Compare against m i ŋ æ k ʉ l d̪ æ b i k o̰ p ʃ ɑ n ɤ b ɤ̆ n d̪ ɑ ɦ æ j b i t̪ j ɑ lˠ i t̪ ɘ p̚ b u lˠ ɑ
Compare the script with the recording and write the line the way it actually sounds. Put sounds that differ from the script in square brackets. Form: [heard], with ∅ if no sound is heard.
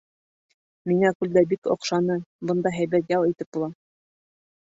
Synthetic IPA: m i ŋ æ k ʉ l d̪ æ b i k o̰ [q] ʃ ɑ n ɤ b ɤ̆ n d̪ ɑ ɦ æ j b [æ] t̪ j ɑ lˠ i t̪ ɘ p̚ b u lˠ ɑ